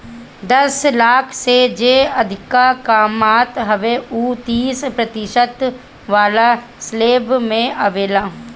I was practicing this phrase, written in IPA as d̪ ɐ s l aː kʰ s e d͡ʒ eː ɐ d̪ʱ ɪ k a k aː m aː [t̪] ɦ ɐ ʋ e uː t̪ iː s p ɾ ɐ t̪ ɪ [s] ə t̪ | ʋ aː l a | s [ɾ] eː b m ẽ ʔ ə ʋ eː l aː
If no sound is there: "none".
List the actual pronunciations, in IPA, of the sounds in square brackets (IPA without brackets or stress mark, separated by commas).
t̪, ʃ, l